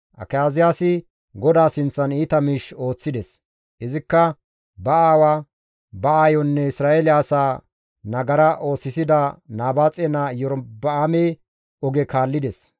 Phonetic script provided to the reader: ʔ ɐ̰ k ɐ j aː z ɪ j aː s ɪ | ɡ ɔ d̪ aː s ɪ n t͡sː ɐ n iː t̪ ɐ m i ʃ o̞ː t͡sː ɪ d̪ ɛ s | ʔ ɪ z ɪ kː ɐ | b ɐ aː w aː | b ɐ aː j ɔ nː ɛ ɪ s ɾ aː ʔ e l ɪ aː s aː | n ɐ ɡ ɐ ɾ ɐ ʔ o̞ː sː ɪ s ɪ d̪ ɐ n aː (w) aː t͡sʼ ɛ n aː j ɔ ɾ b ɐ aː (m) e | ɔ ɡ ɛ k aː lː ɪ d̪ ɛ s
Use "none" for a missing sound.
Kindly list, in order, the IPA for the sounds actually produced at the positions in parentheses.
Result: b, m

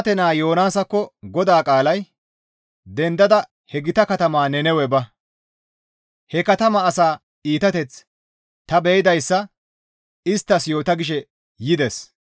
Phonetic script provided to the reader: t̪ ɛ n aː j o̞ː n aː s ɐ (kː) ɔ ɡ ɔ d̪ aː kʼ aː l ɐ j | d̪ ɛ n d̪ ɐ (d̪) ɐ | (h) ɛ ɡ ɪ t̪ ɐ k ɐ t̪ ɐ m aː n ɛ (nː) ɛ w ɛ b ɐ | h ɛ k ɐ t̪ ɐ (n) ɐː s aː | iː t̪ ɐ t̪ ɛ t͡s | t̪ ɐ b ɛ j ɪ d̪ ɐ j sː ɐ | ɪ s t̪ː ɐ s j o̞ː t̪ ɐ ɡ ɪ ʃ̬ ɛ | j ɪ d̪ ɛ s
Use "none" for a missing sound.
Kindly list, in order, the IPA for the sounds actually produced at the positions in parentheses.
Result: kː, d̪, h, n, m

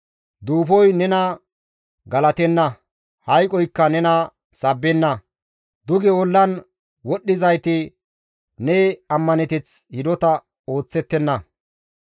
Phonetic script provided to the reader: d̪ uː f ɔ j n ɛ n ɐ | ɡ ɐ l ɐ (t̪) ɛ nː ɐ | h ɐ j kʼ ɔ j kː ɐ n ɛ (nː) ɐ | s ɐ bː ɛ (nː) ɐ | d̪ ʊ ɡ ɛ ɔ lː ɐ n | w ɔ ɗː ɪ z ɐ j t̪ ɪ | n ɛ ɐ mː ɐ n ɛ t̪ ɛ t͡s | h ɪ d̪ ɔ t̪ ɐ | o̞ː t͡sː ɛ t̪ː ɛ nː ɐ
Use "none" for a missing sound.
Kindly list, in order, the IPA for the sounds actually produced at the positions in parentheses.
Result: t̪, n, nː

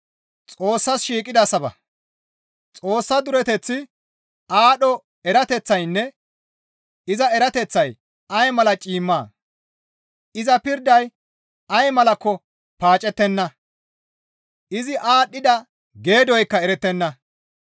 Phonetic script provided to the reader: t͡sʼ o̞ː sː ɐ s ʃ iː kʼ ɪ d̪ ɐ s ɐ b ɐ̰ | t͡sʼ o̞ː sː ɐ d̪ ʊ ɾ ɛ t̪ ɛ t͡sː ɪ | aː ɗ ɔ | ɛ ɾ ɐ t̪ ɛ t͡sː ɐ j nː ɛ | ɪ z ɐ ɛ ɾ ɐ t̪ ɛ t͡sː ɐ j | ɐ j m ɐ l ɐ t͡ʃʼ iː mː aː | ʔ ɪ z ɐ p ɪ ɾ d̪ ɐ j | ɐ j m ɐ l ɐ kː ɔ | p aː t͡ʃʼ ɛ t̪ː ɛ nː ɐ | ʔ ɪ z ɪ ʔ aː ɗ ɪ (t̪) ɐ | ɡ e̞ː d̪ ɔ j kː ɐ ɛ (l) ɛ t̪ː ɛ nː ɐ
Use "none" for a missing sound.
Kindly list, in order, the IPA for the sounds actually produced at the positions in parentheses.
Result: d̪, ɾ

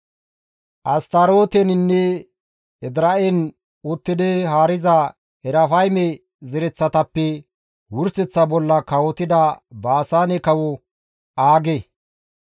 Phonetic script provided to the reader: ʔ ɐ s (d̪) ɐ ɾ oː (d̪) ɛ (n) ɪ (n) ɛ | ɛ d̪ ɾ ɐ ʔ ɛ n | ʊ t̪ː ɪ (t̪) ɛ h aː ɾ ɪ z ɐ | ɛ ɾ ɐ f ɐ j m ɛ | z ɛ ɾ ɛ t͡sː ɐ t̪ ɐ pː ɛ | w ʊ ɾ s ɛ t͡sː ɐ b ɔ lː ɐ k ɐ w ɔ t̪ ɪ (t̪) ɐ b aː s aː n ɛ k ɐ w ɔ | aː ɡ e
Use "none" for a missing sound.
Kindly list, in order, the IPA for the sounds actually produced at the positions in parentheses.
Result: t̪, t̪, n, nː, d̪, d̪

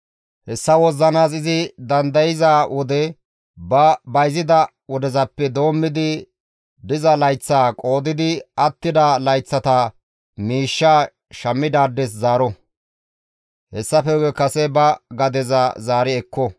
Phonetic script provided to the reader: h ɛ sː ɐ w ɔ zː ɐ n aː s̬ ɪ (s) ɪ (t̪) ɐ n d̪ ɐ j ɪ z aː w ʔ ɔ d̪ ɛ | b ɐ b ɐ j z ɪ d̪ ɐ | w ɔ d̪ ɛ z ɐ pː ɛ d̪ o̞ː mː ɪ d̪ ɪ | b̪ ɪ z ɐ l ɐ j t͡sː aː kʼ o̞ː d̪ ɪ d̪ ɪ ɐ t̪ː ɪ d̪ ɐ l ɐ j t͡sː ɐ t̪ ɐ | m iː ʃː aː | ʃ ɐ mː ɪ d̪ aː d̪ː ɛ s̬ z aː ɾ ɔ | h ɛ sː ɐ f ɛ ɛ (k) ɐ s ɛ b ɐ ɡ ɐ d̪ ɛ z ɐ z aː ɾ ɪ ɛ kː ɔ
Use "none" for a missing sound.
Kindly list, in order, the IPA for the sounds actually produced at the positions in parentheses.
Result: z, d̪, k

